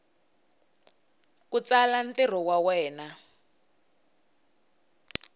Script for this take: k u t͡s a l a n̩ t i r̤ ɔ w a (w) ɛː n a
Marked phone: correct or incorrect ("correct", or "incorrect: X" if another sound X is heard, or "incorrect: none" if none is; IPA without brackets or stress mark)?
correct